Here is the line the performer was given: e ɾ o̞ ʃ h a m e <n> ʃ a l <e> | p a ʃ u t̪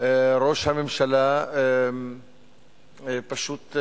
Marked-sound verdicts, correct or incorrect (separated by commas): incorrect, incorrect